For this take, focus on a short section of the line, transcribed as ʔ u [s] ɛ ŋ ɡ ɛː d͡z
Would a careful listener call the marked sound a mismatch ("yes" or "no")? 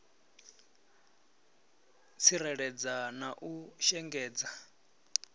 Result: yes